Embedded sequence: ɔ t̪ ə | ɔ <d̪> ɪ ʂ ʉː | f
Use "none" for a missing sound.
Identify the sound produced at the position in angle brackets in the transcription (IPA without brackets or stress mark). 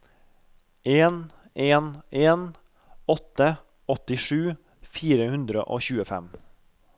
t̪